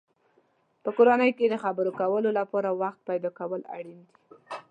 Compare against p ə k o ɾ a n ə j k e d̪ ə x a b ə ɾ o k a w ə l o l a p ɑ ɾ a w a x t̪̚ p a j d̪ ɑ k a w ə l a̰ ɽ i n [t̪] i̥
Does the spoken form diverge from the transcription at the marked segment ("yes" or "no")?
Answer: yes